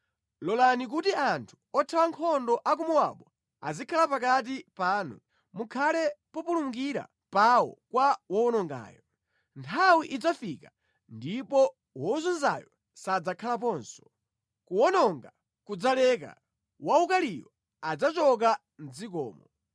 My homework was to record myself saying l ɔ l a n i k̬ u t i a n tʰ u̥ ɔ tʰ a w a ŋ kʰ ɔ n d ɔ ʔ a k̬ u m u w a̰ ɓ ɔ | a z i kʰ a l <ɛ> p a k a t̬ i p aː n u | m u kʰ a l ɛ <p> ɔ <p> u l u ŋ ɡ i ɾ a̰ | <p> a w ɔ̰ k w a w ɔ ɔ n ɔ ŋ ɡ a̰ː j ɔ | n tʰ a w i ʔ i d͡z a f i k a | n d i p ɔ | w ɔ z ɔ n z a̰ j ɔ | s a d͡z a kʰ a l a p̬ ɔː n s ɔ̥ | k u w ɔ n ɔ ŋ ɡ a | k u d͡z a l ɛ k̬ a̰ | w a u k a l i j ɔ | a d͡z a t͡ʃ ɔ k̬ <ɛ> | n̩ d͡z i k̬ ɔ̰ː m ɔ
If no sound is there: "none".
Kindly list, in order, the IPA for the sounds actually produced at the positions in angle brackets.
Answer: a, p, p, p, a

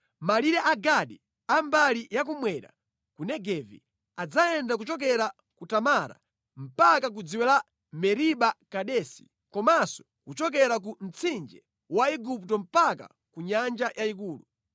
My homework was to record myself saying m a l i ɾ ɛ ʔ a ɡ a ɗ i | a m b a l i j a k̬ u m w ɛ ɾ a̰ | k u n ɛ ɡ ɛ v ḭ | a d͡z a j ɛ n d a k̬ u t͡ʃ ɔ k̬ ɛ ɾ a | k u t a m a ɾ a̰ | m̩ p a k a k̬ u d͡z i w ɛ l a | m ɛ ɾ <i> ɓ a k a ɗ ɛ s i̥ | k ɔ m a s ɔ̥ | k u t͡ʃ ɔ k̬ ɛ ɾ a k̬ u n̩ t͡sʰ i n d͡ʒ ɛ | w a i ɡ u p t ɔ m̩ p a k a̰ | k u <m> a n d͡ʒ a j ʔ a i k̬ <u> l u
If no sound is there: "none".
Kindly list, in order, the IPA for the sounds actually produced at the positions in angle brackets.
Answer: i, ɲ, uː

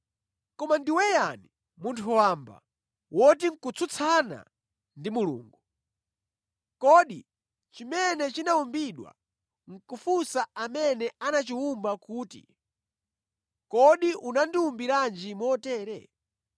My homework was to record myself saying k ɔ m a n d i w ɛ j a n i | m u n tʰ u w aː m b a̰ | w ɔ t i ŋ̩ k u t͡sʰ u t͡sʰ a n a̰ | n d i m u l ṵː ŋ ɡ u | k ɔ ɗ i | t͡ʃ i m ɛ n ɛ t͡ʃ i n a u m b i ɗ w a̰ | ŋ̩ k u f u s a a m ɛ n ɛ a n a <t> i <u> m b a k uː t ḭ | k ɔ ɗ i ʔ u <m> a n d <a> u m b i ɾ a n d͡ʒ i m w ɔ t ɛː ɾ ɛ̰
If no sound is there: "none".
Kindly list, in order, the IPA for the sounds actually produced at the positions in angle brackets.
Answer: t͡ʃ, u, n, i

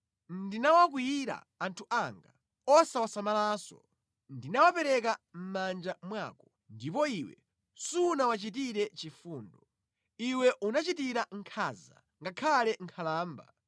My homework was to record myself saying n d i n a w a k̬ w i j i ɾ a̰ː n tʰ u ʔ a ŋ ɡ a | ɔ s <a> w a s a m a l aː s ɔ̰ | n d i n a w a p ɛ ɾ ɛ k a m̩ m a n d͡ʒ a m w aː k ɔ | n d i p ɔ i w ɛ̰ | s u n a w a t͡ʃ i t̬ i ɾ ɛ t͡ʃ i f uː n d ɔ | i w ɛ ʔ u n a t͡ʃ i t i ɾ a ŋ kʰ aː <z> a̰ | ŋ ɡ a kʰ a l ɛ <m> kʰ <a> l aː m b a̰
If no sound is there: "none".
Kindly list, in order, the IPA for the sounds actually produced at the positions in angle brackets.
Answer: a, z, ŋ, a

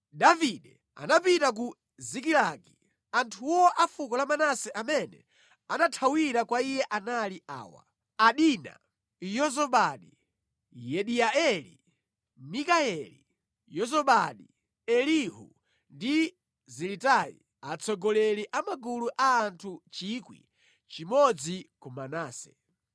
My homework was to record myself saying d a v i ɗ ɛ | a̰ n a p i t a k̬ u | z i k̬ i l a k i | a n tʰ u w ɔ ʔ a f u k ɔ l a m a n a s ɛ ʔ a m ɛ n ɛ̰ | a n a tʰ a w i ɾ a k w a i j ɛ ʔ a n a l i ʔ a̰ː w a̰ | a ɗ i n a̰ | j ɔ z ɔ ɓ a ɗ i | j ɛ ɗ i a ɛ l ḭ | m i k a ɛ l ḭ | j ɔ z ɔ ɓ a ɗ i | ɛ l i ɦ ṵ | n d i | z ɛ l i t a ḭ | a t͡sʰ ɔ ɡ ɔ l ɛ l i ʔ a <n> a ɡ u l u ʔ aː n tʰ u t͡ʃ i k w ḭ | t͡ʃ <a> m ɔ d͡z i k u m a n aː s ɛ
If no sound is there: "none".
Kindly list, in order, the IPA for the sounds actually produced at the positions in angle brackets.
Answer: m, i

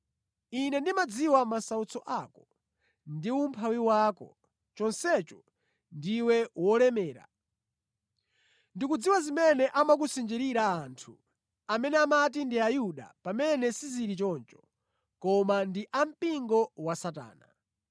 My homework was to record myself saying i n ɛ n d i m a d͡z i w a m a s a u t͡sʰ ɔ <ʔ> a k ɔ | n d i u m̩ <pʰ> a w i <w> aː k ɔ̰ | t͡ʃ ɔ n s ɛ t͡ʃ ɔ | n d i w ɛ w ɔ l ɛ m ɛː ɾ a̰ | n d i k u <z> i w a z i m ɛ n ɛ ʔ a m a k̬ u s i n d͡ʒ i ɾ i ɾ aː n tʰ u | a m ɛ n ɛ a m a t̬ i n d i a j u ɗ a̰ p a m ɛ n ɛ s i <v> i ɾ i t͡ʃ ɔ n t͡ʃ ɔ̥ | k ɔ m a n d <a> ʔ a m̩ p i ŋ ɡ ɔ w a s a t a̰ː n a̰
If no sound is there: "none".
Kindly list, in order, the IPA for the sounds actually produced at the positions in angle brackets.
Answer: ʔ, pʰ, w, d͡z, z, i

